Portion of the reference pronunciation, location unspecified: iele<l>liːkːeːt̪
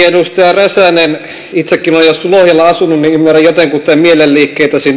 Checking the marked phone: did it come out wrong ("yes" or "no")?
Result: no